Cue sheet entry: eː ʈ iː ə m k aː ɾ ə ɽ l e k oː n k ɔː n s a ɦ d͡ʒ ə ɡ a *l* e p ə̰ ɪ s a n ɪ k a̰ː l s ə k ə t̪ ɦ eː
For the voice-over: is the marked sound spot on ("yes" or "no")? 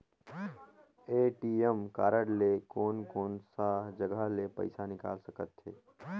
yes